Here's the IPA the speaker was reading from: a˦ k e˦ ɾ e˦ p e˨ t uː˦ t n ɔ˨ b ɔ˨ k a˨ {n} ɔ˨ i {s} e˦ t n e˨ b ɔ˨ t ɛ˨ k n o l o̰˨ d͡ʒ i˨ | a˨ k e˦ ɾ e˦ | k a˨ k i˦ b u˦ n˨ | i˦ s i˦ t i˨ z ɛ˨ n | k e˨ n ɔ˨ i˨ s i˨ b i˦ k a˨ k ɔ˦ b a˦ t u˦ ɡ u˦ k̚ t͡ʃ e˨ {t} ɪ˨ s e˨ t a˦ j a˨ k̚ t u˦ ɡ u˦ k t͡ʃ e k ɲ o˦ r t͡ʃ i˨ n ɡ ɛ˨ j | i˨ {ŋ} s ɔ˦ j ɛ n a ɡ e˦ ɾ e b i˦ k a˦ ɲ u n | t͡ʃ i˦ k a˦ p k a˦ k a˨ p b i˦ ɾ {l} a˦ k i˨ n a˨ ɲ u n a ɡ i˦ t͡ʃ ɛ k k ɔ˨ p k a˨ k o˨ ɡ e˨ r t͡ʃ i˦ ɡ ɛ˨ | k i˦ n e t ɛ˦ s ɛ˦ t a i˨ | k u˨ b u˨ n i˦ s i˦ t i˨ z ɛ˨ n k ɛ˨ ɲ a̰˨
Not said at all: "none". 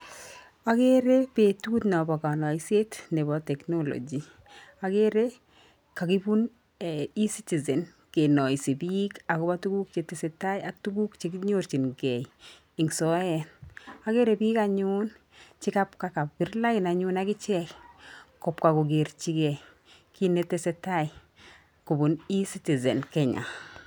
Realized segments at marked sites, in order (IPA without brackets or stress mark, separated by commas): n, s, t, ŋ, l